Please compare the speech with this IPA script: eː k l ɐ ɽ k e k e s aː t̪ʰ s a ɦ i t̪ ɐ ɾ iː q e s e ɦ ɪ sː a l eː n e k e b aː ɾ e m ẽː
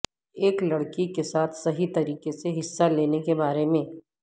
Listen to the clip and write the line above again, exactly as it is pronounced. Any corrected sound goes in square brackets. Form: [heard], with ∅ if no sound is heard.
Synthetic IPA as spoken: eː k l ɐ ɽ k [i] k e s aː t̪ʰ s [ɐ] ɦ i t̪ ɐ ɾ iː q e s e ɦ ɪ sː a l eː n e k e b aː ɾ e m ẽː